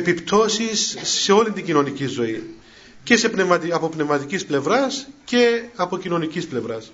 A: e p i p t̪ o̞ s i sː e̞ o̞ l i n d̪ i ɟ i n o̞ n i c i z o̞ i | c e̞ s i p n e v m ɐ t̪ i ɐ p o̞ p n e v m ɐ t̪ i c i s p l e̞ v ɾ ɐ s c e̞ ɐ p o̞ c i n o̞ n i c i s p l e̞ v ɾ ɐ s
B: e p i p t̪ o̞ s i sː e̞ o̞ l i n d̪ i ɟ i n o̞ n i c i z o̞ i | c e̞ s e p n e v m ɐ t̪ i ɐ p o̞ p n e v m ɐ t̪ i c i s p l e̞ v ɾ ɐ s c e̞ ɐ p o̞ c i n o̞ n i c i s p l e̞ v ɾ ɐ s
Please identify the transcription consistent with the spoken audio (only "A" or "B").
B